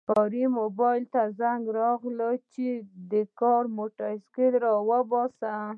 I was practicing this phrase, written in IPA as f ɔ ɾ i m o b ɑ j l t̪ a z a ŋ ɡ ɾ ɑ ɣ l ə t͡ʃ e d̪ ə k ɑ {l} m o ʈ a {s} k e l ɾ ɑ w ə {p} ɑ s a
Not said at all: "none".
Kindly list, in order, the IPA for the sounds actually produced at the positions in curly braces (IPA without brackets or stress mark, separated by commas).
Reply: ɾ, s, b